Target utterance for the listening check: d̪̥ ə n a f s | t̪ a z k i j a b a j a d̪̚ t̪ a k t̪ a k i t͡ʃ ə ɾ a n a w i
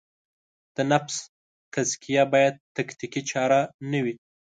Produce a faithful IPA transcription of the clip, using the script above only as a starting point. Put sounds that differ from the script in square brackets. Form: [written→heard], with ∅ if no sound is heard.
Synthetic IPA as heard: d̪̥ ə n a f s | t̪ a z k i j a b [a→ɑ] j a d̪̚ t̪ a k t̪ [a→i] k i t͡ʃ [ə→ɑ] ɾ a n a w i